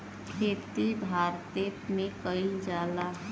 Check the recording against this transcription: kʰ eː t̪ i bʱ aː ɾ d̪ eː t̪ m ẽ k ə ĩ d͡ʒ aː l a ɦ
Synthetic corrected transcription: kʰ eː t̪ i bʱ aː ɾ t̪ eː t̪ m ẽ k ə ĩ d͡ʒ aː l a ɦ